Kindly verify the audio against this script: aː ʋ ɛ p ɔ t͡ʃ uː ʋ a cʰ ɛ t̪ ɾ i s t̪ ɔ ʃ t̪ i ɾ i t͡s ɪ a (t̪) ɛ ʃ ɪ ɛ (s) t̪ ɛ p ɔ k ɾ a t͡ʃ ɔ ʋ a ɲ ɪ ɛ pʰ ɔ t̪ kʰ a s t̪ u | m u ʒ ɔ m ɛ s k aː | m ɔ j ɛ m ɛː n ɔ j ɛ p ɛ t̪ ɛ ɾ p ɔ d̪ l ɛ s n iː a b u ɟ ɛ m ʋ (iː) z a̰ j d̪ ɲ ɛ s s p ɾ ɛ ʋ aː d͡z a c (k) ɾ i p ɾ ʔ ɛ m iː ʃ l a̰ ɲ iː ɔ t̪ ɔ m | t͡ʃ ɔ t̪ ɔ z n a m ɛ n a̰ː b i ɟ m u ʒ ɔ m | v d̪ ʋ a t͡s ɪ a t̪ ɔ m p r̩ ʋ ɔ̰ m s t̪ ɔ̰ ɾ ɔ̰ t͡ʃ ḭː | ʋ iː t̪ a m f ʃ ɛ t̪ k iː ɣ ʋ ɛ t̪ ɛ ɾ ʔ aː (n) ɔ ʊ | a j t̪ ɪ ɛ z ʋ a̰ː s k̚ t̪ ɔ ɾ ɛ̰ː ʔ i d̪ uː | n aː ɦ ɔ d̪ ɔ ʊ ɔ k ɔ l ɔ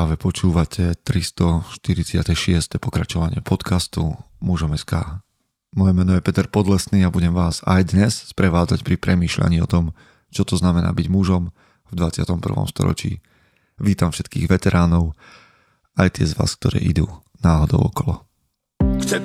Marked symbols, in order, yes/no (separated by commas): yes, yes, no, no, yes